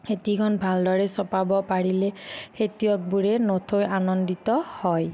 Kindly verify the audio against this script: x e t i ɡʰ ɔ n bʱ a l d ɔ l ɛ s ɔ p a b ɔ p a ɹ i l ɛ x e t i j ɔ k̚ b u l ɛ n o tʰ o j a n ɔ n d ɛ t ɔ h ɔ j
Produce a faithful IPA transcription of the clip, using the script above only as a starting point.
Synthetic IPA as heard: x e t i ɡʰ ɔ n bʱ a l d ɔ ɹ ɛ s ɔ p a b ɔ p a ɹ i l ɛ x e t i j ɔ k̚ b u ɹ ɛ n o tʰ o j a n ɔ n d i t ɔ h ɔ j

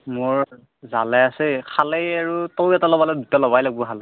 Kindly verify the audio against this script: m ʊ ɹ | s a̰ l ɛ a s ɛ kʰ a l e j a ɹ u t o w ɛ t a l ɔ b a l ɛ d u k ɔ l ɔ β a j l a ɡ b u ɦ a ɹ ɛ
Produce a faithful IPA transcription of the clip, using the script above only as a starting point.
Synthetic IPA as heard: m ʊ ɹ | z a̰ l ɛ a s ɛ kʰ a l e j a ɹ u t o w ɛ t a l ɔ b a l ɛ d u t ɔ l ɔ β a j l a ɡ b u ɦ a l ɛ

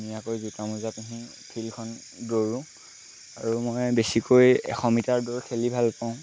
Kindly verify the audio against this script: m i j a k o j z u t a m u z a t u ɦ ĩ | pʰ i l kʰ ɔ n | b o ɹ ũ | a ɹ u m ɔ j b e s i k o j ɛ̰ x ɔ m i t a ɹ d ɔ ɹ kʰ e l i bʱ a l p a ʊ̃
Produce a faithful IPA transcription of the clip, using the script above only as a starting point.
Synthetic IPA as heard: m i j a k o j z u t a m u z a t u ɦ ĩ | pʰ i l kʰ ɔ n | d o ɹ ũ | a ɹ u m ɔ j b e s i k o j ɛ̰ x ɔ m i t a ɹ d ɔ ɹ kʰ e l i bʱ a l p a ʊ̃

